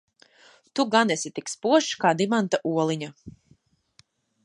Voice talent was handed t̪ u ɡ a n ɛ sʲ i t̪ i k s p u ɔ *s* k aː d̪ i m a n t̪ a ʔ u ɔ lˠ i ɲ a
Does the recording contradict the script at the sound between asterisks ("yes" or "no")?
yes